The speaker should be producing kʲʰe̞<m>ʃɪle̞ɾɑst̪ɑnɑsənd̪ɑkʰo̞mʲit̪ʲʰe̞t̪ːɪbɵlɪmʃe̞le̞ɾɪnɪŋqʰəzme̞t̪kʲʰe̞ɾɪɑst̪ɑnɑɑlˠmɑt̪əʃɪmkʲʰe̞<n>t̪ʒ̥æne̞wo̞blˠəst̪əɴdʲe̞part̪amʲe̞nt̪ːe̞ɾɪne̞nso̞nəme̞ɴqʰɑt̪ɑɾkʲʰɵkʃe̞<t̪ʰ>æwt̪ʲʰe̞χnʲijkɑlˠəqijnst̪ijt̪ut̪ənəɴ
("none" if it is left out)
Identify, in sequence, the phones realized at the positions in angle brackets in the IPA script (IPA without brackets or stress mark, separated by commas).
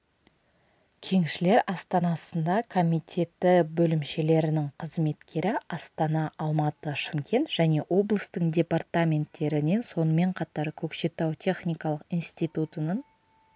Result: ŋ, n, t̪